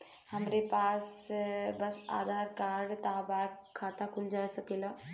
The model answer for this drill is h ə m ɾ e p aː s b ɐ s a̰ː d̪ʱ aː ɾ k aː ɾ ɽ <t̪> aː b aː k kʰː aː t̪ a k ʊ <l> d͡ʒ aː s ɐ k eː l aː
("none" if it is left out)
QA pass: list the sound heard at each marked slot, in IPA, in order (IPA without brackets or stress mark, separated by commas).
t̪, l